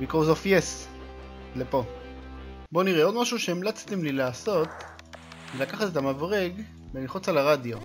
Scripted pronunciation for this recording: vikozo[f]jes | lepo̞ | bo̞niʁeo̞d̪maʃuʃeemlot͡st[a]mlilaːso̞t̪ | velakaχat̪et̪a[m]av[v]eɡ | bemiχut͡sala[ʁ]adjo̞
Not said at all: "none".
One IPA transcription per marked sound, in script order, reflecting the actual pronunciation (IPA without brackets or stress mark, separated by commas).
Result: f, i, m, ʁ, ʁ